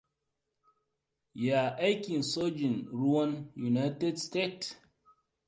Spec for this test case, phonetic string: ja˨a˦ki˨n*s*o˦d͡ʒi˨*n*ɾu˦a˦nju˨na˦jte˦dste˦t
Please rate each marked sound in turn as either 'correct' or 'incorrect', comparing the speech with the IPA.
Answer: correct, correct

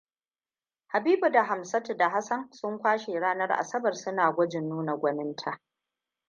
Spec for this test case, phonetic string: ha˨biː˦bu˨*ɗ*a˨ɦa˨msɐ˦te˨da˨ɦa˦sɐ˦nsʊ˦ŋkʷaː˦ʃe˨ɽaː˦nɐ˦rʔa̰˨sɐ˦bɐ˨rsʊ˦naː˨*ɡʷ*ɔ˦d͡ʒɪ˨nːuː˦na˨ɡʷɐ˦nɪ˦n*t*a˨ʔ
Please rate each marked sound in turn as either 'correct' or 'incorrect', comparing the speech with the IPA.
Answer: incorrect: d, correct, incorrect: tʰ

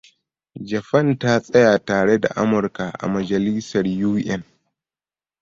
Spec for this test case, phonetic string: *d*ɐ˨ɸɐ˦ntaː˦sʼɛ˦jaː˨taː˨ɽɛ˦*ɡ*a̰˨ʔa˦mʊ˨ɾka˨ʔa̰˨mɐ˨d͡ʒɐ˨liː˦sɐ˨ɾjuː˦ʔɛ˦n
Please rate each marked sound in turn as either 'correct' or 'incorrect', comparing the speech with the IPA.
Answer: incorrect: d͡ʒ, incorrect: d

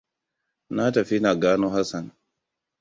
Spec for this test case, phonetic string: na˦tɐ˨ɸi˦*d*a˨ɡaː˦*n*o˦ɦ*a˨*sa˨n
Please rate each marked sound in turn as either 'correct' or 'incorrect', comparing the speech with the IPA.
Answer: incorrect: n, correct, incorrect: a˦

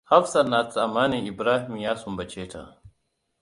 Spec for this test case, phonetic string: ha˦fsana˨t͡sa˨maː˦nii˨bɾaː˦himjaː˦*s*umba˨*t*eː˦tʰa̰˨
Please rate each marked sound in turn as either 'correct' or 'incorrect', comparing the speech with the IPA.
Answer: correct, incorrect: t͡ʃ

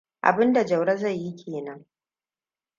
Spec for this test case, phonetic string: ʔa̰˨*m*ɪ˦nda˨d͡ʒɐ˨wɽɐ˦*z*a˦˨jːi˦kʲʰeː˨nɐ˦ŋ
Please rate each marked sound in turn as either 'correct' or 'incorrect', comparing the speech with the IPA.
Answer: incorrect: b, correct

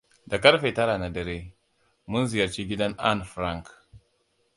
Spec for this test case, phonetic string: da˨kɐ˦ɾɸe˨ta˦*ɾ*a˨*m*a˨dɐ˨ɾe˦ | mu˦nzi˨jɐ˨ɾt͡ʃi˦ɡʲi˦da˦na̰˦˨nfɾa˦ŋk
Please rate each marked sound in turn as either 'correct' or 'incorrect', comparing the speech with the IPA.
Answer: correct, incorrect: n

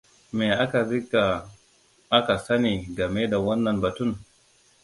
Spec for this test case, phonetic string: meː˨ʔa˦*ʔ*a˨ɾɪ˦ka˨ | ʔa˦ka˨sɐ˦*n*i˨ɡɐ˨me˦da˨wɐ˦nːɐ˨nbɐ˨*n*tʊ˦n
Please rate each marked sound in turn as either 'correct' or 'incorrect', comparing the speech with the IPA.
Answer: incorrect: k, correct, incorrect: none

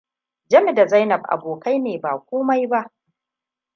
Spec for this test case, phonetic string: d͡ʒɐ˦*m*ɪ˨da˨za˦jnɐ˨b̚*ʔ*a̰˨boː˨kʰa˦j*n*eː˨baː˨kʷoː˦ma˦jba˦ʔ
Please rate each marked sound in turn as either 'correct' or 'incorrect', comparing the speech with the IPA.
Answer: correct, correct, correct

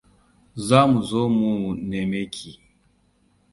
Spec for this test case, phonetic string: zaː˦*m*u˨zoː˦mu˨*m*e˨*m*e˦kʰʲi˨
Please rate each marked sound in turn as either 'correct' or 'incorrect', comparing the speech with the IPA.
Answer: correct, incorrect: n, correct

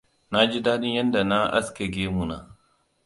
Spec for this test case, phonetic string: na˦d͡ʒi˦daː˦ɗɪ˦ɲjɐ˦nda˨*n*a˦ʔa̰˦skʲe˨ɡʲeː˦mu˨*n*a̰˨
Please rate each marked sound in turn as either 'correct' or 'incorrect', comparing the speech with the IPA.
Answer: correct, correct

